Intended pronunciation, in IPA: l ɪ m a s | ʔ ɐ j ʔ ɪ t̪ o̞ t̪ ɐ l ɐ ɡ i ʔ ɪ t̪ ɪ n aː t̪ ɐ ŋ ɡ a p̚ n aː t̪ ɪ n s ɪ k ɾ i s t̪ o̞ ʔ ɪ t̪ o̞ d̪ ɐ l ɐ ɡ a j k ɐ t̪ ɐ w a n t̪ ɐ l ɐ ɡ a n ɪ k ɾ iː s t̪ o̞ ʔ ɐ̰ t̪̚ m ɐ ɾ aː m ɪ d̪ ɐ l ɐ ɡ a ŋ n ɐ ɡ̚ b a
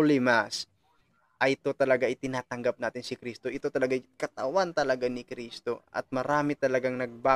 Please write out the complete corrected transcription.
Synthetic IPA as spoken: l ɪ m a s | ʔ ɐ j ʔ ɪ t̪ o̞ t̪ ɐ l ɐ ɡ a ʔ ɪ t̪ ɪ n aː t̪ ɐ ŋ ɡ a p̚ n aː t̪ ɪ n s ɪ k ɾ i s t̪ o̞ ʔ ɪ t̪ o̞ t̪ ɐ l ɐ ɡ a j k ɐ t̪ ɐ w a n t̪ ɐ l ɐ ɡ a n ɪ k ɾ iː s t̪ o̞ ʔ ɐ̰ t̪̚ m ɐ ɾ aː m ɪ t̪ ɐ l ɐ ɡ a ŋ n ɐ ɡ̚ b a